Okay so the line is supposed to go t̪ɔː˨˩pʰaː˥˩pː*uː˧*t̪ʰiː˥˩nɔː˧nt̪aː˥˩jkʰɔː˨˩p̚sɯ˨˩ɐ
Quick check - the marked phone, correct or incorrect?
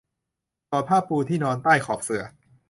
correct